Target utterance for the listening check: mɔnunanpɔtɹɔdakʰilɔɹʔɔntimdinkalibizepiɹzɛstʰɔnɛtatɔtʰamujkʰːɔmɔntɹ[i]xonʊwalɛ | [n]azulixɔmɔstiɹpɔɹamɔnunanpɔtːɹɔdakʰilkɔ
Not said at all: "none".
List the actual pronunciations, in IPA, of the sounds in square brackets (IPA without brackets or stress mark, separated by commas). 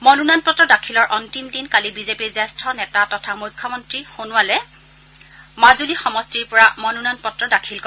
i, m